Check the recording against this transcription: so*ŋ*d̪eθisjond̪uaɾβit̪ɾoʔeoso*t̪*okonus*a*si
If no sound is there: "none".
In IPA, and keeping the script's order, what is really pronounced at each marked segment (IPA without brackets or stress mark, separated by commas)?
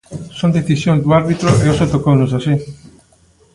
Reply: n, t̪, a